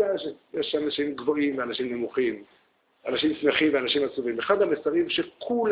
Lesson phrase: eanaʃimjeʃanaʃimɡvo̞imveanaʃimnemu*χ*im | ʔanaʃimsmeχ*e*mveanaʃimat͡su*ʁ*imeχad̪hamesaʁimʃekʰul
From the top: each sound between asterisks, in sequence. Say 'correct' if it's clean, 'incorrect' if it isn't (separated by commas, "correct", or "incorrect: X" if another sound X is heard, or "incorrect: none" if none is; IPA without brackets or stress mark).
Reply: correct, incorrect: i, incorrect: v